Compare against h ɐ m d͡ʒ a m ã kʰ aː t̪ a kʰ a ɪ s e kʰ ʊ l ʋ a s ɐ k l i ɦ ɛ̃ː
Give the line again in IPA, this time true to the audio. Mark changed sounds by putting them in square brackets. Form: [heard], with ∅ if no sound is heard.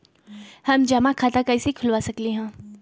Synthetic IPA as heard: h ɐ m d͡ʒ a m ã kʰ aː t̪ a [k] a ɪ s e kʰ ʊ l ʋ a s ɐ k l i ɦ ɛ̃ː